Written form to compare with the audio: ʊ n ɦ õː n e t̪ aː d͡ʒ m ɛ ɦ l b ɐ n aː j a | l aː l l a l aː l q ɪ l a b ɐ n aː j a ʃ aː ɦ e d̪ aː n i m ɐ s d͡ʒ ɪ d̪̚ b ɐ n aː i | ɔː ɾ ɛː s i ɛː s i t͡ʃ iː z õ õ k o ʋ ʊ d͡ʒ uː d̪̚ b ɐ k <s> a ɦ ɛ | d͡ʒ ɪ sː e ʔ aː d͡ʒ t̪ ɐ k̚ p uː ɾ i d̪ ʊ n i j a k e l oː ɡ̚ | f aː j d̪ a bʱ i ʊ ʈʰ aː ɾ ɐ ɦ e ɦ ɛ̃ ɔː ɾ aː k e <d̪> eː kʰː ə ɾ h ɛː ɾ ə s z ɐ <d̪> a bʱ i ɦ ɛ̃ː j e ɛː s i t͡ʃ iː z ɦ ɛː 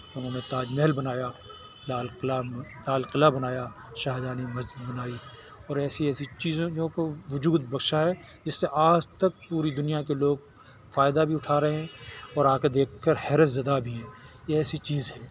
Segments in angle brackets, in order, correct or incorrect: incorrect, correct, correct

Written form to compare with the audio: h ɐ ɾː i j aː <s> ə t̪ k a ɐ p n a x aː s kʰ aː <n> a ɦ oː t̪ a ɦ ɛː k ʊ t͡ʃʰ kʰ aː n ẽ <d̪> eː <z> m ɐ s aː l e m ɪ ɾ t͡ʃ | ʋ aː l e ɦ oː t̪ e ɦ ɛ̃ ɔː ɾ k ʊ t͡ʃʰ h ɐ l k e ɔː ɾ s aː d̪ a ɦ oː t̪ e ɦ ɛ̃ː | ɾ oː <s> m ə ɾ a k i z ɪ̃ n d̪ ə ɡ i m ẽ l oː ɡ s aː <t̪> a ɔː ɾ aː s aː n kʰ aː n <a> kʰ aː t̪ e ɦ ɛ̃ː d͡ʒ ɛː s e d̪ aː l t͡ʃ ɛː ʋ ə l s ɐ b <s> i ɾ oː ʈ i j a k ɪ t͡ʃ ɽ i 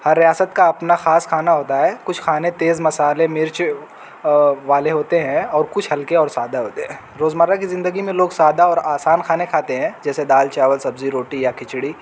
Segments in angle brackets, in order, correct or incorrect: correct, correct, incorrect, correct, incorrect, incorrect, incorrect, incorrect

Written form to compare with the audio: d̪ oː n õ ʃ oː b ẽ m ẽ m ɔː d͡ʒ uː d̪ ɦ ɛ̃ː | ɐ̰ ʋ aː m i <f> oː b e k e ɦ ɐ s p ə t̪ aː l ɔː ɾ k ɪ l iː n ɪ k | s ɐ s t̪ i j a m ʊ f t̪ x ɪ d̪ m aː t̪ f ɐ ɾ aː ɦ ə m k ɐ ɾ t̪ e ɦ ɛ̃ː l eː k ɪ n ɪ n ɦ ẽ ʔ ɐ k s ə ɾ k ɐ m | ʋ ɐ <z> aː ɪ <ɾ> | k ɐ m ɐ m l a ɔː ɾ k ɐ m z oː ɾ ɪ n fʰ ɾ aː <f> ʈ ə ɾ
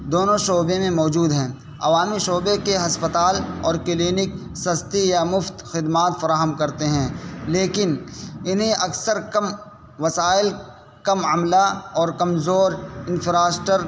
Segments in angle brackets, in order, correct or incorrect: incorrect, incorrect, incorrect, incorrect

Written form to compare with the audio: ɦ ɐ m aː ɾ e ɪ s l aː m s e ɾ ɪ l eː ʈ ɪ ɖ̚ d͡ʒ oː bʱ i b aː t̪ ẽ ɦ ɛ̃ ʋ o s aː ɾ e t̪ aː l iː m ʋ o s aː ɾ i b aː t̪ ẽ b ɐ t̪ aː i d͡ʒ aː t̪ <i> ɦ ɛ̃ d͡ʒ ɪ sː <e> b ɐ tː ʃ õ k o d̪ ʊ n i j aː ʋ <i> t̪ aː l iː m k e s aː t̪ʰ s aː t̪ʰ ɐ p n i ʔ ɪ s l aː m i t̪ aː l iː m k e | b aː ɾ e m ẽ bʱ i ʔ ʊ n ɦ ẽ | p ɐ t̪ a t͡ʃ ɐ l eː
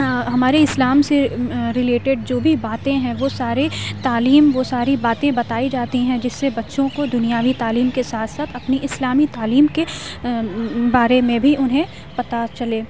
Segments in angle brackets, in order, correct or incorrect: correct, correct, correct

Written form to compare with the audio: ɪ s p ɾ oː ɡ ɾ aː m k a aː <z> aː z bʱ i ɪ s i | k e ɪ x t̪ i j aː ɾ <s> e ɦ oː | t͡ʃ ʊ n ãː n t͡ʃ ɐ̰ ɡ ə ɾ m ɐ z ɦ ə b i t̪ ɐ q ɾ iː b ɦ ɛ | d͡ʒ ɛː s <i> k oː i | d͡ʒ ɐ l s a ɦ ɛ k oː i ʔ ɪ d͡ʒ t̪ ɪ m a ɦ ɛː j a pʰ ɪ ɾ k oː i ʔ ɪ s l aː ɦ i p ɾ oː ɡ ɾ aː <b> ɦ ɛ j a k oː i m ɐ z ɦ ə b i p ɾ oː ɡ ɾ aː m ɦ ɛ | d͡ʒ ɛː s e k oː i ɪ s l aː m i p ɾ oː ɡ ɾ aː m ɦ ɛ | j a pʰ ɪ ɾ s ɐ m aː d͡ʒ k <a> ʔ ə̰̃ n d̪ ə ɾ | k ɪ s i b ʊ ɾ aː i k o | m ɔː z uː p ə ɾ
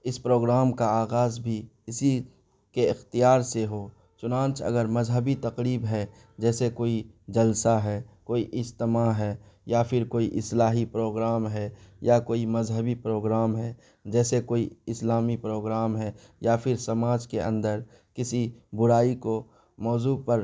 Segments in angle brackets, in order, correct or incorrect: incorrect, correct, incorrect, incorrect, incorrect

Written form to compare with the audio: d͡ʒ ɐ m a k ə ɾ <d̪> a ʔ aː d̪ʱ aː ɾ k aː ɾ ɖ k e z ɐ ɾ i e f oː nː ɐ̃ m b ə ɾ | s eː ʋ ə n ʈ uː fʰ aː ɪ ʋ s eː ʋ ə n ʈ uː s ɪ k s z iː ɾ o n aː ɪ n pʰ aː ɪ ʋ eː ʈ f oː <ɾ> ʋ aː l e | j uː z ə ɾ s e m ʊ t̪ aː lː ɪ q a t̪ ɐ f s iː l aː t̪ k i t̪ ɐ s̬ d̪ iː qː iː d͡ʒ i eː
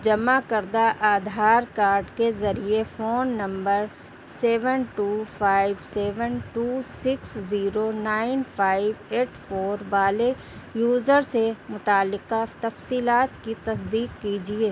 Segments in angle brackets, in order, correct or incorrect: correct, correct

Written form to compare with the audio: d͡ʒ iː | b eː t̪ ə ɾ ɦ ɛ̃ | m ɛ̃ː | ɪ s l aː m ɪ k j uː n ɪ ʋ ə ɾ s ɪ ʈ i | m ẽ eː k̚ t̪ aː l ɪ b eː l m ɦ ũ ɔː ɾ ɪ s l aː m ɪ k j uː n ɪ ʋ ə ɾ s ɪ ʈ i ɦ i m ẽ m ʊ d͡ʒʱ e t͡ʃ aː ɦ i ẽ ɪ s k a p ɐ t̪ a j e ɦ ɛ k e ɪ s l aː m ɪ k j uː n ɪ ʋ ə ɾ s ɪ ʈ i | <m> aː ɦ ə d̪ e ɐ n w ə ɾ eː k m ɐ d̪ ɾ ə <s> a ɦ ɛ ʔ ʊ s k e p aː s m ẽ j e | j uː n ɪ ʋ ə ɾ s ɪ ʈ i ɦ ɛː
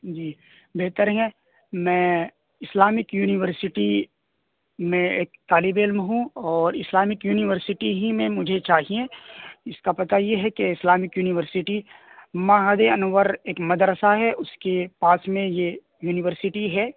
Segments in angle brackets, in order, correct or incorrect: correct, correct

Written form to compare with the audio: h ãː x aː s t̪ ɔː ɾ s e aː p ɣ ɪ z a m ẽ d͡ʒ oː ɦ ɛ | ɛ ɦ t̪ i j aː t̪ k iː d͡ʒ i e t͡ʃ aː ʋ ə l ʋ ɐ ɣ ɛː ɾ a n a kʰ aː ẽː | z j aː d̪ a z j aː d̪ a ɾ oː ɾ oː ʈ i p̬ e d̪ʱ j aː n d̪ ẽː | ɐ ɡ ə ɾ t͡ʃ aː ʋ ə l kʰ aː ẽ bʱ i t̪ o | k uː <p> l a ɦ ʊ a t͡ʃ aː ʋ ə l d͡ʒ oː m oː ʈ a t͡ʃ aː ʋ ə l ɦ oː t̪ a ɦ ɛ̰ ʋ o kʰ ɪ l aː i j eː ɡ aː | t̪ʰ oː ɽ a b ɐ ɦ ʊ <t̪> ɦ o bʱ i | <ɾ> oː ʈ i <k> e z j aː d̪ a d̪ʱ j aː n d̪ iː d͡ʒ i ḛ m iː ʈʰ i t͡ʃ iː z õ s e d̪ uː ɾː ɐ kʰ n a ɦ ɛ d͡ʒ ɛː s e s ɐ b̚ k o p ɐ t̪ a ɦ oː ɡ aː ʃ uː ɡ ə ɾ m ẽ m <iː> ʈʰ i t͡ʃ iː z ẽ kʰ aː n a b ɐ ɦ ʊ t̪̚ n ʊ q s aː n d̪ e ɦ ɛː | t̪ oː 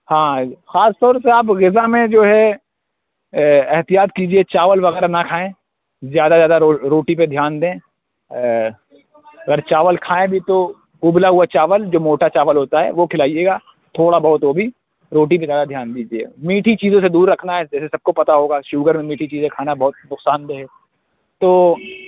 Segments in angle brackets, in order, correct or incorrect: incorrect, correct, correct, incorrect, correct

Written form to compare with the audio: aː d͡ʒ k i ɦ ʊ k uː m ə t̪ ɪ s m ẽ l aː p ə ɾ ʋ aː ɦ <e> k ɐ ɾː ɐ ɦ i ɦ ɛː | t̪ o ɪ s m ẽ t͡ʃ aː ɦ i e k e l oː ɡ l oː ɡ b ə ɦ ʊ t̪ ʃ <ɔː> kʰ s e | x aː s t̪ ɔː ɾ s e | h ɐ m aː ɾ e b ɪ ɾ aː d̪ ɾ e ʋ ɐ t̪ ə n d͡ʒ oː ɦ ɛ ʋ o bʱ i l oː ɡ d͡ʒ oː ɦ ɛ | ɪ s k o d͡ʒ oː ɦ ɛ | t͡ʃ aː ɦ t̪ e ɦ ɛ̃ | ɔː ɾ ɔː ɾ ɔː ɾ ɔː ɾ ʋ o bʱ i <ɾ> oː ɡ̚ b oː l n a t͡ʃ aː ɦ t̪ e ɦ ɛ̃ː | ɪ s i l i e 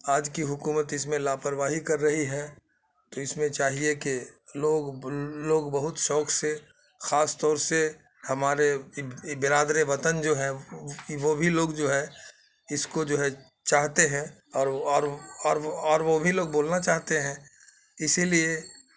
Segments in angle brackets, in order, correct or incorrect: incorrect, correct, incorrect

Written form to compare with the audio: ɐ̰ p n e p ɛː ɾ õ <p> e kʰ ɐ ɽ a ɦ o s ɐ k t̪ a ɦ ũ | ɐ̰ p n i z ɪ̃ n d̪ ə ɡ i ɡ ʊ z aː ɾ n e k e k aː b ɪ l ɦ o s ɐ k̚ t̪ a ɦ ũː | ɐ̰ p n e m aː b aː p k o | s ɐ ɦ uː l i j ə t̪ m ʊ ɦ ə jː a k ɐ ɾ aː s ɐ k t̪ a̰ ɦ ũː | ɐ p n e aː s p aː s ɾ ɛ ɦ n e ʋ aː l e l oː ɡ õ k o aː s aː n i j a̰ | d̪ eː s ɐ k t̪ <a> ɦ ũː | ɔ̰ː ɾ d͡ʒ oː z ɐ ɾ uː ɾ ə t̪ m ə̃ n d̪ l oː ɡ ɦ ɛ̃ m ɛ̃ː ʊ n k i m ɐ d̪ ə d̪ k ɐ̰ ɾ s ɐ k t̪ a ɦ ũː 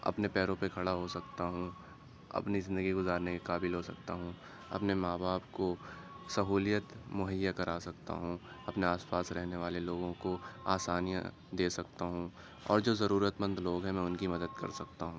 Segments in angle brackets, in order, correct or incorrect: correct, correct

